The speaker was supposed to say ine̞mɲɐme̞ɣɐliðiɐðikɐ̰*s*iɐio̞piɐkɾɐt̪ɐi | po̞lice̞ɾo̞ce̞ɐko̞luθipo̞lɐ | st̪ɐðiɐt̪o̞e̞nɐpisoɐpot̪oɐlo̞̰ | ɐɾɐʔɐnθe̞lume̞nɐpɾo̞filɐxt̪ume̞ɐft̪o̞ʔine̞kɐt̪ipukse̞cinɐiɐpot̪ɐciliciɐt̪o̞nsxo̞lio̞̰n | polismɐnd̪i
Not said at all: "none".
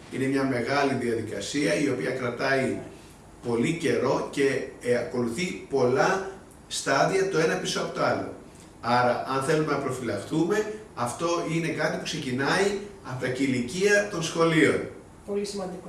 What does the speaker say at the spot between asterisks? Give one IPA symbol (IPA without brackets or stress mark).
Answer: s